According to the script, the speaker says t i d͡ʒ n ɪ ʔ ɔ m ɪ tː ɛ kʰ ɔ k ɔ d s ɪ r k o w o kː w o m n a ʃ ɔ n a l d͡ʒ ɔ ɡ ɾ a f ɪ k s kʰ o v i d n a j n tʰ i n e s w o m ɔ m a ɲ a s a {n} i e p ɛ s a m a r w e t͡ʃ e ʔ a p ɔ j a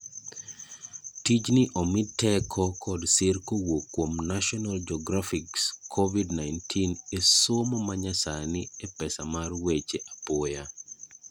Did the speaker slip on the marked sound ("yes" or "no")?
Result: no